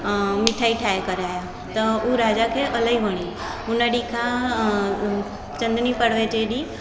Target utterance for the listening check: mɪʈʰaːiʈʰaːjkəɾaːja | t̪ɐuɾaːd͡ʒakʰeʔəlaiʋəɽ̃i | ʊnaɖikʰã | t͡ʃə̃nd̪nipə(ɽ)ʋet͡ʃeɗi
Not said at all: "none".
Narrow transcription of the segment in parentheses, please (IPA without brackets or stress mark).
ɽ